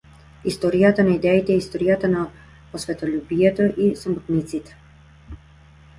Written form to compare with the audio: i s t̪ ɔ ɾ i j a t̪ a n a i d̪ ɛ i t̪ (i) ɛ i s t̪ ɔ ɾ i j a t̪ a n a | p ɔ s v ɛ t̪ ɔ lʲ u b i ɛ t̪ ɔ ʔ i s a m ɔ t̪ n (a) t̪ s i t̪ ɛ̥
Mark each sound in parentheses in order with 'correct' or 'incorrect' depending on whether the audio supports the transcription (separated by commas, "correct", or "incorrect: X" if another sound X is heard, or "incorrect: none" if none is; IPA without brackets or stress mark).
incorrect: ɛ, incorrect: i